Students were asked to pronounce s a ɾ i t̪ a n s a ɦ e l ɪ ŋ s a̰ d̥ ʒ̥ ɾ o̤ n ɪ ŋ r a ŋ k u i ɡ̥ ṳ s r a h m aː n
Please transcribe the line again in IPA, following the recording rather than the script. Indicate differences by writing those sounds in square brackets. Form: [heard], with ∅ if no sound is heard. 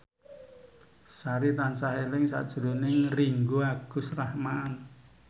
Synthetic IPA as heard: s a ɾ i t̪ a n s a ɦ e l ɪ ŋ s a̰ d̥ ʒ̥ ɾ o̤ n ɪ ŋ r [i] ŋ [ɡ] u [a] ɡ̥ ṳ s r a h m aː n